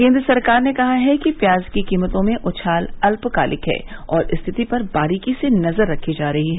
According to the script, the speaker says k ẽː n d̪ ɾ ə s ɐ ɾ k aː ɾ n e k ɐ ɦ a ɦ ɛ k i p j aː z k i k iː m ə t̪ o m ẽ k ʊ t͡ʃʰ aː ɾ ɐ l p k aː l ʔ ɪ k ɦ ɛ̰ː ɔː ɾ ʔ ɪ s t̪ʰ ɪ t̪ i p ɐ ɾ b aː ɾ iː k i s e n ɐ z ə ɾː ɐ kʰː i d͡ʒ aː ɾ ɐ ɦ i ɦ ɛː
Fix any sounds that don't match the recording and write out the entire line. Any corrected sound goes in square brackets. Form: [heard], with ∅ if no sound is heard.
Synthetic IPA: k ẽː n d̪ ɾ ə s ɐ ɾ k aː ɾ n e k ɐ ɦ a ɦ ɛ k i p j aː z k i k iː m ə t̪ [õ] m ẽ [ʔ] ʊ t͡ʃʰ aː [l] ɐ l p k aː l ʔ ɪ k ɦ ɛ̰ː ɔː ɾ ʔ ɪ s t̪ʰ ɪ t̪ i p ɐ ɾ b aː ɾ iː k i s e n ɐ z ə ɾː ɐ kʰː i d͡ʒ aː ɾ ɐ ɦ i ɦ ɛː

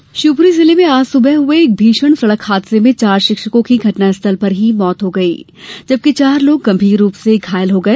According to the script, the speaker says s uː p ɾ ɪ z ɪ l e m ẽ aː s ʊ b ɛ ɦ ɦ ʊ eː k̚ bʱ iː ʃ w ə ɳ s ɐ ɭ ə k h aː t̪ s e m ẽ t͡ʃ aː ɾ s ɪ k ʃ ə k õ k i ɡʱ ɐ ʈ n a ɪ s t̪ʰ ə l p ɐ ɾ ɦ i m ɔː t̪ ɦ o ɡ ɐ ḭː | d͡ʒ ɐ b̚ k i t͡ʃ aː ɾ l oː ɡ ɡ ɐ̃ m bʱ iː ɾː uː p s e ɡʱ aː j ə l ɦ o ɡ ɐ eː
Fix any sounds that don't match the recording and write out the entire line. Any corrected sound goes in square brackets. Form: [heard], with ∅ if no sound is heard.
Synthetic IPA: [ʃ] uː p ɾ [i] z ɪ l e m ẽ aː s ʊ b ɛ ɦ ɦ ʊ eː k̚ bʱ iː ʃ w ə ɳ s ɐ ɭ ə k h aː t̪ s e m ẽ t͡ʃ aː ɾ [ʃ] ɪ k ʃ ə k õ k i ɡʱ ɐ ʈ n a ɪ s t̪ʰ ə l p ɐ ɾ ɦ i m ɔː t̪ ɦ o ɡ ɐ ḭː | d͡ʒ ɐ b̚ k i t͡ʃ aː ɾ l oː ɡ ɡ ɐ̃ m bʱ iː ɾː uː p s e ɡʱ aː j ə l ɦ o ɡ ɐ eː

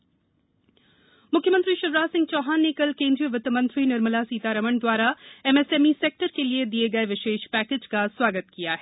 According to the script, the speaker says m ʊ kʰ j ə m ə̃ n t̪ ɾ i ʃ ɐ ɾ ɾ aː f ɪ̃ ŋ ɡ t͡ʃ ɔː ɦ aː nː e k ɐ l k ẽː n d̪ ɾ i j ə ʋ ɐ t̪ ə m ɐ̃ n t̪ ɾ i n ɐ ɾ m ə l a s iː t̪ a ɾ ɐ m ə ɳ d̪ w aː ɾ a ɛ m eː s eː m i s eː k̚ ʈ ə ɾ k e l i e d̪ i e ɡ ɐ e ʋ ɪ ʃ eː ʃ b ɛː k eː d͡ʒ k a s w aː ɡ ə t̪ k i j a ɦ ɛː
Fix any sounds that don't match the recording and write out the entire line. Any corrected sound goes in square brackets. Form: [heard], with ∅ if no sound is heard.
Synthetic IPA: m ʊ kʰ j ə m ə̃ n t̪ ɾ i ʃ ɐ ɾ ɾ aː [s] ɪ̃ ŋ ɡ t͡ʃ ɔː ɦ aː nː e k ɐ l k ẽː n d̪ ɾ i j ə ʋ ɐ t̪ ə m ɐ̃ n t̪ ɾ i n ɐ ɾ m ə l a s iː t̪ a ɾ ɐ m ə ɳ d̪ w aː ɾ a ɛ m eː s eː m i s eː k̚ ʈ ə ɾ k e l i e d̪ i e ɡ ɐ e ʋ ɪ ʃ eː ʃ [p] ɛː k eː d͡ʒ k a s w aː ɡ ə t̪ k i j a ɦ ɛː

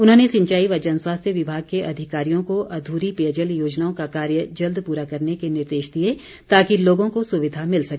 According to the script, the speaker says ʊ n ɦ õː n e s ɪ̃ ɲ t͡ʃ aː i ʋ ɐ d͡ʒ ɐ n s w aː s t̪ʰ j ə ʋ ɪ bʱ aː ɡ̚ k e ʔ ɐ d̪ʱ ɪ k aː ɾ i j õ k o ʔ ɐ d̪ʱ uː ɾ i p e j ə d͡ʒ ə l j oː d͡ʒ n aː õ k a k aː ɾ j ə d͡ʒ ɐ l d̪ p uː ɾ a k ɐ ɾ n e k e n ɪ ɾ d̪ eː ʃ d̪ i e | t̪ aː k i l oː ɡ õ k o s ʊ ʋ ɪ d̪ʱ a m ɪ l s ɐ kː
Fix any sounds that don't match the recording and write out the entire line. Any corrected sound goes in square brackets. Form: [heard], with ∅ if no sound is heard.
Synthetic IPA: ʊ n ɦ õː n e s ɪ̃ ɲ t͡ʃ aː i ʋ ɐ d͡ʒ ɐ n s w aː s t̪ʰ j ə ʋ ɪ bʱ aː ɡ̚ k e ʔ ɐ d̪ʱ ɪ k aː ɾ i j õ k o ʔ ɐ d̪ʱ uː ɾ i p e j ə d͡ʒ ə l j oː d͡ʒ n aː õ k a k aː ɾ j ə d͡ʒ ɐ l d̪ p uː ɾ a k ɐ ɾ n e k e n ɪ ɾ d̪ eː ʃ d̪ i e | t̪ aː k i l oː ɡ õ k o s ʊ ʋ ɪ d̪ʱ a m ɪ l s ɐ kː

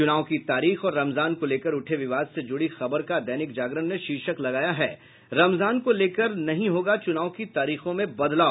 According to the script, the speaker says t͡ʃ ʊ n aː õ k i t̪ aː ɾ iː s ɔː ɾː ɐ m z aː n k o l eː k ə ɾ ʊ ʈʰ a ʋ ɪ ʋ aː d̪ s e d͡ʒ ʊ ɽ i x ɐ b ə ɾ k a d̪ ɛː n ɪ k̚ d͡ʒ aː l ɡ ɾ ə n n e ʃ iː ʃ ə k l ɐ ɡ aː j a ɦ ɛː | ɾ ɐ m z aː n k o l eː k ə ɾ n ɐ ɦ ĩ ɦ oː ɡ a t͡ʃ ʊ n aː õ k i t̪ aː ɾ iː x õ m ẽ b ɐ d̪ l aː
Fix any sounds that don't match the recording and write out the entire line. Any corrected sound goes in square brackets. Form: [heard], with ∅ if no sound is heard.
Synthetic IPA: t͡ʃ ʊ n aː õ k i t̪ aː ɾ iː [x] ɔː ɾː ɐ m z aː n k o l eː k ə ɾ ʊ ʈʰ [e] ʋ ɪ ʋ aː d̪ s e d͡ʒ ʊ ɽ i x ɐ b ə ɾ k a d̪ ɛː n ɪ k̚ d͡ʒ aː [∅] ɡ ɾ ə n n e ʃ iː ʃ ə k l ɐ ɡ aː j a ɦ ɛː | ɾ ɐ m z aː n k o l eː k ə ɾ n ɐ ɦ ĩ ɦ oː ɡ a t͡ʃ ʊ n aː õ k i t̪ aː ɾ iː x õ m ẽ b ɐ d̪ l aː

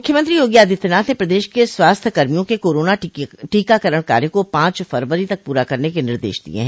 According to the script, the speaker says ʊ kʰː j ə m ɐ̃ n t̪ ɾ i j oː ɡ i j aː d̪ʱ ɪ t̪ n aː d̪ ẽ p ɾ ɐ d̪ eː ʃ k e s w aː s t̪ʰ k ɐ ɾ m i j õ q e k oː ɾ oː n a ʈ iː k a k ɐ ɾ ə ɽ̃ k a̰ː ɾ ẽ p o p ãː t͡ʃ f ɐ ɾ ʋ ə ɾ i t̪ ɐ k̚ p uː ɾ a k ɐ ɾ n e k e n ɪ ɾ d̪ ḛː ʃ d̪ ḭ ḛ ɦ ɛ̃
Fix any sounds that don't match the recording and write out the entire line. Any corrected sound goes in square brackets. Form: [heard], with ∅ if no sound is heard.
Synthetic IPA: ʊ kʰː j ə m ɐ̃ n t̪ ɾ i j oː ɡ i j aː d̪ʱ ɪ t̪ n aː [t̪] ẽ p ɾ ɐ d̪ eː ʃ k e s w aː s t̪ʰ k ɐ ɾ m i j õ [k] e k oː ɾ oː n a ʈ iː k a k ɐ ɾ ə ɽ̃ k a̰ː ɾ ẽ [k] o p ãː t͡ʃ f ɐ ɾ ʋ ə ɾ i t̪ ɐ k̚ p uː ɾ a k ɐ ɾ n e k e n ɪ ɾ d̪ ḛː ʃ d̪ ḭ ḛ ɦ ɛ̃

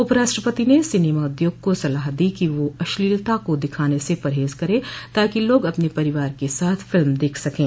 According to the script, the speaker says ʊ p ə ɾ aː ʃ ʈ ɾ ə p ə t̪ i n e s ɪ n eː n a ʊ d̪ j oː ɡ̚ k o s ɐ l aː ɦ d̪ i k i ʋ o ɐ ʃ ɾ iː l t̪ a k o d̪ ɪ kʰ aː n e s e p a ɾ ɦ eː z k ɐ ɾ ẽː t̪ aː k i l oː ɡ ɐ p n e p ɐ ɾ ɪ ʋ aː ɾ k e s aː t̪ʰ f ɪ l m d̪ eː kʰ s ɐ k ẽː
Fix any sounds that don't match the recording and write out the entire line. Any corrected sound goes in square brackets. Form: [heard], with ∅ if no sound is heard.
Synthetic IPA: ʊ p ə ɾ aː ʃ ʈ ɾ ə p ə t̪ i n e s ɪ n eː [m] a ʊ d̪ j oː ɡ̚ k o s ɐ l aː ɦ d̪ i k i ʋ o ɐ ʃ [l] iː l t̪ a k o d̪ ɪ kʰ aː n e s e p [ɐ] ɾ ɦ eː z k ɐ ɾ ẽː t̪ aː k i l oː ɡ ɐ p n e p ɐ ɾ ɪ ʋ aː ɾ k e s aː t̪ʰ f ɪ l m d̪ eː kʰ s ɐ k ẽː

